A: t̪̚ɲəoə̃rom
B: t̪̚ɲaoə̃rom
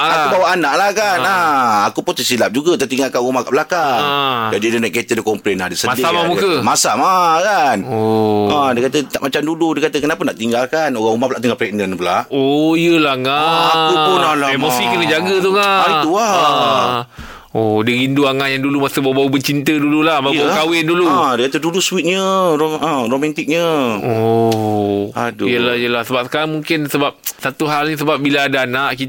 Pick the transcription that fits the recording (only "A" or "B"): A